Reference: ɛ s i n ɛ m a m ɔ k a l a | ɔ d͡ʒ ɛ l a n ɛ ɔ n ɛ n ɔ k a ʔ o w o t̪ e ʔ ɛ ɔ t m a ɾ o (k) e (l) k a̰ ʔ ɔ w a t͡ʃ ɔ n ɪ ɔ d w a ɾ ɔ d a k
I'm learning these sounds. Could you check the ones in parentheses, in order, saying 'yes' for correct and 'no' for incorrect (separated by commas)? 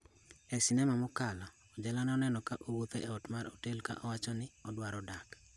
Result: no, yes